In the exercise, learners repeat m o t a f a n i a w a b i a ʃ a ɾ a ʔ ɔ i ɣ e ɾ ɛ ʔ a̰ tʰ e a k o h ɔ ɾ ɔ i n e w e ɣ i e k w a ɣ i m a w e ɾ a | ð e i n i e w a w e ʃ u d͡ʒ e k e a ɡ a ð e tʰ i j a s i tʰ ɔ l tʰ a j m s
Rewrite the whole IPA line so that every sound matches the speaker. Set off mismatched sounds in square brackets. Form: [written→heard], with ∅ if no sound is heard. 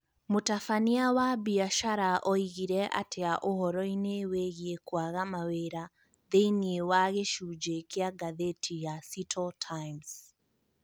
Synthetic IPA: m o t a f a n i a w a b i a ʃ a ɾ a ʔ ɔ i ɣ [e→i] ɾ ɛ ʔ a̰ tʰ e a [k→ʔ] o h ɔ ɾ ɔ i n e w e ɣ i e k w a ɣ [i→a] m a w e ɾ a | ð e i n i e w a [w→ɣ] e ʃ u d͡ʒ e k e a ɡ a ð e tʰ i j a s i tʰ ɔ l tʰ a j m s